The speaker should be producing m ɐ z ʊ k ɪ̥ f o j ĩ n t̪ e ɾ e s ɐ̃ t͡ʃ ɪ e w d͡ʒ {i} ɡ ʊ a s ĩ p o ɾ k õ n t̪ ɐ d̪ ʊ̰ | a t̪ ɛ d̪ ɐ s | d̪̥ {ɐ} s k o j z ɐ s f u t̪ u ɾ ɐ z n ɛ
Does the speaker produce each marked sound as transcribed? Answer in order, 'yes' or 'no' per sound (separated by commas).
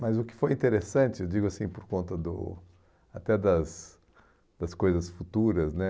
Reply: yes, yes